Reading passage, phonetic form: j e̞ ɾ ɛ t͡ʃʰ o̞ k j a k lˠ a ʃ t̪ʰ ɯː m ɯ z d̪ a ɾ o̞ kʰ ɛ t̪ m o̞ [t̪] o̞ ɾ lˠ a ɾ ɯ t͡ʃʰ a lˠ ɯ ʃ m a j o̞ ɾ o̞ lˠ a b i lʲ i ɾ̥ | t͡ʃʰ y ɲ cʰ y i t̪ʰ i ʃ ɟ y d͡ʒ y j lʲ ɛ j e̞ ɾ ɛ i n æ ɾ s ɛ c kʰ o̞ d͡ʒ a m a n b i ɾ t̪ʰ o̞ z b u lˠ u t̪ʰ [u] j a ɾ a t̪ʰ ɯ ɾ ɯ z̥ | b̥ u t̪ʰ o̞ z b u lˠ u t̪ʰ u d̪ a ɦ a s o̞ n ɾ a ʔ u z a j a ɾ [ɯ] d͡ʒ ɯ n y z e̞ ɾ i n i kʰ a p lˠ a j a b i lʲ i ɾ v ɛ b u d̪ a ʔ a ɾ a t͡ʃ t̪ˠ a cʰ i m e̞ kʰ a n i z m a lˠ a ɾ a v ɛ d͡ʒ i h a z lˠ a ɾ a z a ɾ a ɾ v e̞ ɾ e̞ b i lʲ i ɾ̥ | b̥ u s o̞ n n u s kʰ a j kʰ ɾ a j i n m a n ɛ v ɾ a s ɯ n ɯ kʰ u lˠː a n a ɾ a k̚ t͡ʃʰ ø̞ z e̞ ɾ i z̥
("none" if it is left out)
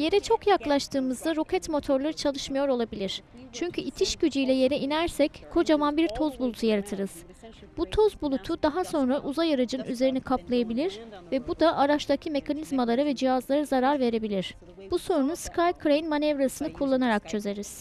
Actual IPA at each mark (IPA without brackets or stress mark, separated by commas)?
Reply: t̪ʰ, u, ɯ